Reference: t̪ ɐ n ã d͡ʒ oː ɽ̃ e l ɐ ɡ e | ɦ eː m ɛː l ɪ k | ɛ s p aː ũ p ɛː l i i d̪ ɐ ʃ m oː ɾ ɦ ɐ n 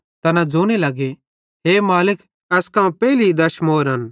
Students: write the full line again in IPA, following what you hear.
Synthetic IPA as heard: t̪ ɐ n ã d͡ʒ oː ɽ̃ e l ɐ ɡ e | ɦ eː m aː l ɪ k | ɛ s k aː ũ p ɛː l i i d̪ ɐ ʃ m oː ɾ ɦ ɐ n